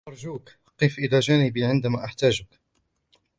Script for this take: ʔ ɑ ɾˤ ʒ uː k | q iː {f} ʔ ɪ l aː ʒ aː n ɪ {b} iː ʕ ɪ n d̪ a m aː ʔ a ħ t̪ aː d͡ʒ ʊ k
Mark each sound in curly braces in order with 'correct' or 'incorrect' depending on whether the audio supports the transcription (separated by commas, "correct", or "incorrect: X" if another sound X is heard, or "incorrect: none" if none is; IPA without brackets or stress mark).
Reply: correct, correct